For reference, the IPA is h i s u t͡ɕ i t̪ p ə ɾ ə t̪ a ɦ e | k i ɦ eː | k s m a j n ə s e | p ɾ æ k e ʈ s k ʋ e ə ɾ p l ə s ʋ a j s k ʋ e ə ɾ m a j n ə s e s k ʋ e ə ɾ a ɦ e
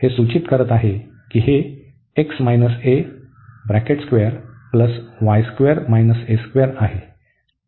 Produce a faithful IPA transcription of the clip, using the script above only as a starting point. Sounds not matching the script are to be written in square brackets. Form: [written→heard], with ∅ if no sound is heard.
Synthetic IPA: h [i→e] s u t͡ɕ i t̪ [p→k] ə ɾ ə t̪ a ɦ e | k i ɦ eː | k s m a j n ə s e | [p→b] ɾ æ k e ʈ s k ʋ e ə ɾ p l ə s ʋ a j s k ʋ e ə ɾ m a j n ə s e s k ʋ e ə ɾ a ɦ e

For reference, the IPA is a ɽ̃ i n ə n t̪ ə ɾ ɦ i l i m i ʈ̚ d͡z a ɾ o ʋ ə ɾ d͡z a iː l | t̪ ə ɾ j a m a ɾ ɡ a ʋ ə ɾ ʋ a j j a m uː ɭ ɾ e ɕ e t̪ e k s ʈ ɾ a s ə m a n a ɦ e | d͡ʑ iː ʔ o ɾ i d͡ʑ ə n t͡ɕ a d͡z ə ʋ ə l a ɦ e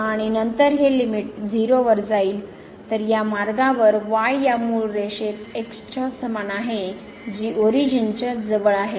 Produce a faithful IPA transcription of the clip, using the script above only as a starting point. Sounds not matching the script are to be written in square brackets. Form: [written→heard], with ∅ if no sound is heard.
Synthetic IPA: a ɽ̃ i n ə n t̪ ə ɾ ɦ [i→e] l i m i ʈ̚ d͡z [a→i] ɾ o ʋ ə ɾ d͡z a iː l | t̪ ə ɾ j a m a ɾ ɡ a ʋ ə ɾ ʋ a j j a m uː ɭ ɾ e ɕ e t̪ e k s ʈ ɾ a s ə m a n a ɦ e | d͡ʑ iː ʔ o ɾ i d͡ʑ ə n t͡ɕ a d͡z ə ʋ ə [l→ɭ] a ɦ e

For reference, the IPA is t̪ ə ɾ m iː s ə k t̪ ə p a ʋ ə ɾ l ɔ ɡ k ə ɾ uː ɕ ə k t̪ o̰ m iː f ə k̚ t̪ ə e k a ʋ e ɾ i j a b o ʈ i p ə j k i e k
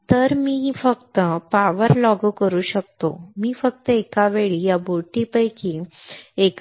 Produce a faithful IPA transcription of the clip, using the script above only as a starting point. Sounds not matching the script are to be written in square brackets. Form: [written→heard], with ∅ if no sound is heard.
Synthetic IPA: t̪ ə ɾ m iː [s→f] ə k t̪ ə p a ʋ ə ɾ l ɔ ɡ k ə ɾ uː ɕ ə k t̪ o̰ m iː f ə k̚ t̪ ə e k a ʋ e [ɾ→ɭ] i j a b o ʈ i p ə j k i e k

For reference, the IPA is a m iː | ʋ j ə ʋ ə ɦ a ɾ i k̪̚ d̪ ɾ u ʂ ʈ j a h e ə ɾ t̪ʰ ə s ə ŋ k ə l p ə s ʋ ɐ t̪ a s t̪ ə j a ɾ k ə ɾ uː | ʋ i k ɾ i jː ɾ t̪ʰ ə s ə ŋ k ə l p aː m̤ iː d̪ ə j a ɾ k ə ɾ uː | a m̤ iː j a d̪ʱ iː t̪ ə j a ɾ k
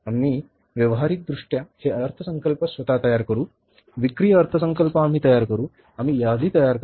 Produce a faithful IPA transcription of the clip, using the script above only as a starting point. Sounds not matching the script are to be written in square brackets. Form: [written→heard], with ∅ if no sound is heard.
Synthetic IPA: a m iː | ʋ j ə ʋ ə ɦ a ɾ i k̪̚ d̪ ɾ u ʂ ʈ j a h e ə ɾ t̪ʰ ə s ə ŋ k ə l p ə s ʋ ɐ t̪ a [s→∅] t̪ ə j a ɾ k ə ɾ uː | ʋ i k ɾ i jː ɾ t̪ʰ ə s ə ŋ k ə l p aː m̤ iː [d̪→t̪] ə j a ɾ k ə ɾ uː | a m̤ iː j a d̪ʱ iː t̪ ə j a ɾ k

